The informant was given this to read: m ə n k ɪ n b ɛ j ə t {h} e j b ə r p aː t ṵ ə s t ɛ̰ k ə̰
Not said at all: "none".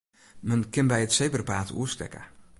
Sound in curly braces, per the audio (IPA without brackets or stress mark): s